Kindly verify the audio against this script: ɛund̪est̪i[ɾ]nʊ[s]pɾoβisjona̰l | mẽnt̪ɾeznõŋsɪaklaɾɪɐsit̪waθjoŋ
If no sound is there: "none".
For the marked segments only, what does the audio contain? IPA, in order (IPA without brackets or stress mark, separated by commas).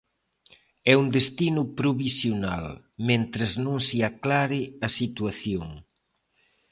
none, none